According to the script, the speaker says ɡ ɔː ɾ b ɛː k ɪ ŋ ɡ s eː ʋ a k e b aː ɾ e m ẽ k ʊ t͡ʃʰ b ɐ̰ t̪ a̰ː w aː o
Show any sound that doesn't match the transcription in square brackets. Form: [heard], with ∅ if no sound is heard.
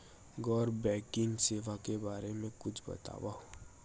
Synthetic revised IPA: ɡ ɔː ɾ b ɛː k ɪ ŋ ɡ s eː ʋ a k e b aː ɾ e m ẽ k ʊ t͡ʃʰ b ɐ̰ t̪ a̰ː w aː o